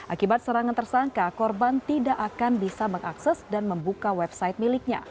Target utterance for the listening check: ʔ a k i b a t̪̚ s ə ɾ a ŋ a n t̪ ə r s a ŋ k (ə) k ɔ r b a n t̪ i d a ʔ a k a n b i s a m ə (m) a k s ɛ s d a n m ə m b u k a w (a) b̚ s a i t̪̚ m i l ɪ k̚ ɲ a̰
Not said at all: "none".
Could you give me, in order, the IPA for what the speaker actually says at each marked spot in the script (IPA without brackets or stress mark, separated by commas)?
a, ŋ, ɛ